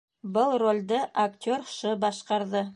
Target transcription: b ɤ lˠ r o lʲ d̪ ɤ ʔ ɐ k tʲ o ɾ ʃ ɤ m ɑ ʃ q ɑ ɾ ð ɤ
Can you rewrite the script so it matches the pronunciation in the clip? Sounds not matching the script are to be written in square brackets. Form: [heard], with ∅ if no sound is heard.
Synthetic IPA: b ɤ lˠ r o lʲ d̪ ɤ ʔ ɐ k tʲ o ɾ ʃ ɤ [b] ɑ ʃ q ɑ ɾ ð ɤ